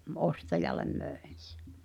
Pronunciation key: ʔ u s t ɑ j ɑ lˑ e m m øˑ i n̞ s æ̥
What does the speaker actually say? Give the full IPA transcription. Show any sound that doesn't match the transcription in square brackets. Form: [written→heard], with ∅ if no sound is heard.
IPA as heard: ʔ [u→o] s t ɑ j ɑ lˑ e m m øˑ [i→e] n̞ s [æ̥→e̥]